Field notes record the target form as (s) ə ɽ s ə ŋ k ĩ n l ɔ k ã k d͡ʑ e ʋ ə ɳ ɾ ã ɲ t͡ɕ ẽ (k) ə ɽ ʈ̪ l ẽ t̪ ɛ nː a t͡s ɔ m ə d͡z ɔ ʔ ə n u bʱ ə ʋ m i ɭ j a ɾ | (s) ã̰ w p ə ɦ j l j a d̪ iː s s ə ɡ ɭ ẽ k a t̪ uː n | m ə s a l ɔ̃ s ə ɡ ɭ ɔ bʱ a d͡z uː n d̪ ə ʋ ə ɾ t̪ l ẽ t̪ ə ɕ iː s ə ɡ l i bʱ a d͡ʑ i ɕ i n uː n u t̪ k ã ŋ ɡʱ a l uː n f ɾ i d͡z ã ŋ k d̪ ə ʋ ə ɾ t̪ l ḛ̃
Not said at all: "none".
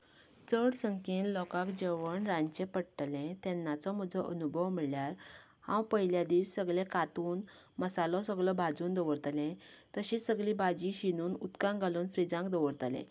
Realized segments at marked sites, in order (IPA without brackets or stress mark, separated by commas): t͡s, p, h